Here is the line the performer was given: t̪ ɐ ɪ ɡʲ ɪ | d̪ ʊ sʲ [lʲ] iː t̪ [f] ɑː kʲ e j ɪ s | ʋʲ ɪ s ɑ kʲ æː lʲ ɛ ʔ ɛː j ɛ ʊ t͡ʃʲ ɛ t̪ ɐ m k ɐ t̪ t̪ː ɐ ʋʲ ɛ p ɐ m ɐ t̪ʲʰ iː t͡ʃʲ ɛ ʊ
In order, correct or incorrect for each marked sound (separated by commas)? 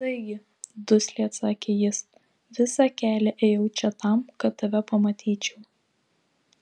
correct, incorrect